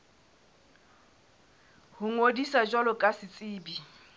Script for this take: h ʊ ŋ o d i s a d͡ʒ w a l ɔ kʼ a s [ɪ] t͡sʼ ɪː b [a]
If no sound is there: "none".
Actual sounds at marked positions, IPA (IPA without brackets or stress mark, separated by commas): ɪ, i